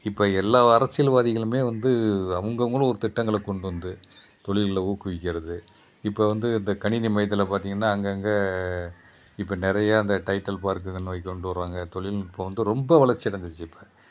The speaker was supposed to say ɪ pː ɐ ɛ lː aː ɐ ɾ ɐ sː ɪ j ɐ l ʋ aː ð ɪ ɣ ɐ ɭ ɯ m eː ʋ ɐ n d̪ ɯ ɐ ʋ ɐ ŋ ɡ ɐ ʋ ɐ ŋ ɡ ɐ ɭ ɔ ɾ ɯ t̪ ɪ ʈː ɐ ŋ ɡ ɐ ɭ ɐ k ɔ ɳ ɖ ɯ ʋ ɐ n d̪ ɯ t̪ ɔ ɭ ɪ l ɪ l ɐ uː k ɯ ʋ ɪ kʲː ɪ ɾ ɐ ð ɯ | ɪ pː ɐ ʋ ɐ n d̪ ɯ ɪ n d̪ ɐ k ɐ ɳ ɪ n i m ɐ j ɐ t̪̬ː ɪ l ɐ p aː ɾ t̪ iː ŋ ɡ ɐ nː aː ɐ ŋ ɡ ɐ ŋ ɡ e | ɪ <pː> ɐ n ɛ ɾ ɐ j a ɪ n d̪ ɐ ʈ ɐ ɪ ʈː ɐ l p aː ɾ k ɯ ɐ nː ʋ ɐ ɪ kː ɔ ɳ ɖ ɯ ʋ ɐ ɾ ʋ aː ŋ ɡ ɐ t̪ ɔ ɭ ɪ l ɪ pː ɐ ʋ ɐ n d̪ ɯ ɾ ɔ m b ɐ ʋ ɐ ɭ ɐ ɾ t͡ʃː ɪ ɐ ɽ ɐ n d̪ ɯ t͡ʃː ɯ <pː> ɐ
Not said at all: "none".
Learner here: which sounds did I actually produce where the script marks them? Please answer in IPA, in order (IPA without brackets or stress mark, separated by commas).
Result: pː, pː